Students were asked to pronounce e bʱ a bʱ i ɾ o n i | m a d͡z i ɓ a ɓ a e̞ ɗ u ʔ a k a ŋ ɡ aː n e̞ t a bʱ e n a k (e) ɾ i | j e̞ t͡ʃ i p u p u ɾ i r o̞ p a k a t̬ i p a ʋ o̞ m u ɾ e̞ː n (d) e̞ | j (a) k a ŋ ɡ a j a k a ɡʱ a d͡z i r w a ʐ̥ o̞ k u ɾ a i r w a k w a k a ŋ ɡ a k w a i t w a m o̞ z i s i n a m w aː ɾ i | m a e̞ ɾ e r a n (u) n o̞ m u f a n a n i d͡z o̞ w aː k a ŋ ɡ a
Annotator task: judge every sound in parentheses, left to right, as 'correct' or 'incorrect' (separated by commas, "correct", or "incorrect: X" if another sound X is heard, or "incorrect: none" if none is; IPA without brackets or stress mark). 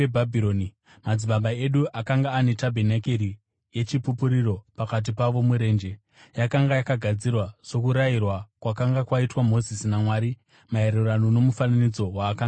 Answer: correct, incorrect: d͡ʒ, correct, incorrect: o